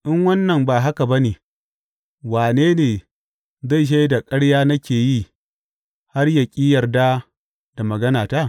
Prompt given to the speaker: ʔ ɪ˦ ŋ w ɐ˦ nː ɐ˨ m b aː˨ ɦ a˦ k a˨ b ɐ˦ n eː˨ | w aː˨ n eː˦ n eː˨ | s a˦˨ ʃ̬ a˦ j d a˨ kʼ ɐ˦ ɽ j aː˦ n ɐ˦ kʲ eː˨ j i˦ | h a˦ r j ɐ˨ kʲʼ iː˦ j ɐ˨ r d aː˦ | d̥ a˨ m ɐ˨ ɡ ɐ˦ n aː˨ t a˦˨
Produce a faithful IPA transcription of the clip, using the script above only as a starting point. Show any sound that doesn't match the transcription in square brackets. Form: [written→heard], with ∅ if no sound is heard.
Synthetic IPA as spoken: ʔ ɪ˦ ŋ w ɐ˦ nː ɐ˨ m b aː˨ ɦ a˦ k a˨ b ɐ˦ n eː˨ | w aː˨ n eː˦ n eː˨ | [s→z] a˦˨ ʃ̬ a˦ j d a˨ kʼ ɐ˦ ɽ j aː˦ n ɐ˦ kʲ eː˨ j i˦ | h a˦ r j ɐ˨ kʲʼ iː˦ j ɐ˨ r d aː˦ | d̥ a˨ m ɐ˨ ɡ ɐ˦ n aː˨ t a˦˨